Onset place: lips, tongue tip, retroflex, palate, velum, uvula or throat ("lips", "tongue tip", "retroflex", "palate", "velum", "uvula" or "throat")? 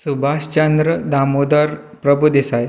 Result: tongue tip